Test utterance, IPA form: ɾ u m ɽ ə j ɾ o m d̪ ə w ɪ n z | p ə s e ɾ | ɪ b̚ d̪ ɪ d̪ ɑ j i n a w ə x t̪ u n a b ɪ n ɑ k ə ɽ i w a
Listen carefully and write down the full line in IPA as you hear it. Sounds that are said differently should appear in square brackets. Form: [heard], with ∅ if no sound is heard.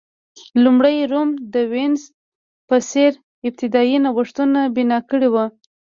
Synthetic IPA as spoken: [l] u m ɽ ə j ɾ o m d̪ ə w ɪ n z | p ə s e ɾ | ɪ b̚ [t̪] ɪ d̪ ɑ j i n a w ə [ʂ] t̪ u n a b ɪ n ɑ k ə ɽ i w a